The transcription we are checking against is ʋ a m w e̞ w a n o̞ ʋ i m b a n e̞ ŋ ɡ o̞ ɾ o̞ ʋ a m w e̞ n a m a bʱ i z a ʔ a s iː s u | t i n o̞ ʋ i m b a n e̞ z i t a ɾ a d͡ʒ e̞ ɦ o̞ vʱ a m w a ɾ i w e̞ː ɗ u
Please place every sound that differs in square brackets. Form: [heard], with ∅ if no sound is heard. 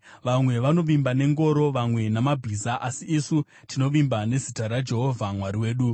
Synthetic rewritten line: ʋ a m w e̞ [ʋ] a n o̞ ʋ i m b a n e̞ ŋ ɡ o̞ ɾ o̞ ʋ a m w e̞ n a m a bʱ i z a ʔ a s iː s u | t i n o̞ ʋ i m b a n e̞ z i t a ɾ a d͡ʒ e̞ ɦ o̞ vʱ a m w a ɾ i w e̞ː ɗ u